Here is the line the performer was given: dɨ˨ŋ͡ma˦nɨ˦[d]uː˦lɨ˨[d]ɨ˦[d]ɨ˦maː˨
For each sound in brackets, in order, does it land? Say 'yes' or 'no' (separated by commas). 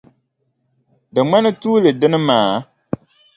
no, yes, no